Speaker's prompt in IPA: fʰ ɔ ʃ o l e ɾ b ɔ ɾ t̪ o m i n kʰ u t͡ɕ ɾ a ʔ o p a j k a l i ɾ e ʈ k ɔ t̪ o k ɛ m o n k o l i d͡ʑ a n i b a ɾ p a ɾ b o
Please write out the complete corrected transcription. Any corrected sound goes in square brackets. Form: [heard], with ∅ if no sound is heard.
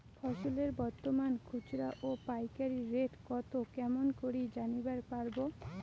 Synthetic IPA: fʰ ɔ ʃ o l e ɾ b ɔ ɾ t̪ o m [a] n kʰ u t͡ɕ ɾ a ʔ o p a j k a [ɾ] i ɾ e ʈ k ɔ t̪ o k ɛ m o n k o [ɾ] i d͡ʑ a n i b a ɾ p a ɾ b o

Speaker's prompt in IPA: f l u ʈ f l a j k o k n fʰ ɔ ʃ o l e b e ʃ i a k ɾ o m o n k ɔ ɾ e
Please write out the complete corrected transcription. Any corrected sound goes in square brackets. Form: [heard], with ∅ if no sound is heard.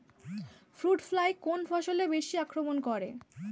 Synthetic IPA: f [ɾ] u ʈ f l a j k o [∅] n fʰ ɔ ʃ o l e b e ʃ i a k ɾ o m o n k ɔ ɾ e

